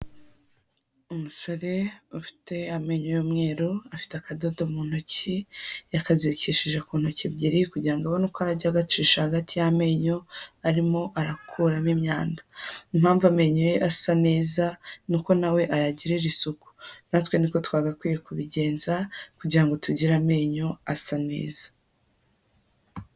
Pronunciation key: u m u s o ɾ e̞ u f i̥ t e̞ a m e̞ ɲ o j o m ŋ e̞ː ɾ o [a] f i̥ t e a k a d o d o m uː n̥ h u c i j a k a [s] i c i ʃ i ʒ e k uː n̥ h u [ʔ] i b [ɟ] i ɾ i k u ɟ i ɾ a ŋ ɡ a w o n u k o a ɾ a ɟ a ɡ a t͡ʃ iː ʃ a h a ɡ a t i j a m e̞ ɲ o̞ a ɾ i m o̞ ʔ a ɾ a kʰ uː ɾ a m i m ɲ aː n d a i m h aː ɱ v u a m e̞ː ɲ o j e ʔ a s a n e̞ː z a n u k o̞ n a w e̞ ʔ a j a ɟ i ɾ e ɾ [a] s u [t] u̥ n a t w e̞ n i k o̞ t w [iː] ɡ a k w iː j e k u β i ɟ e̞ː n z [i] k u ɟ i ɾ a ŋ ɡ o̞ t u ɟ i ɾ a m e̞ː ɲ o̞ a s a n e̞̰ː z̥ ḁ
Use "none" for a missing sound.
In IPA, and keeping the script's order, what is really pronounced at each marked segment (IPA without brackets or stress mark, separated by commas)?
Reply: a, z, c, ɟ, i, k, aː, a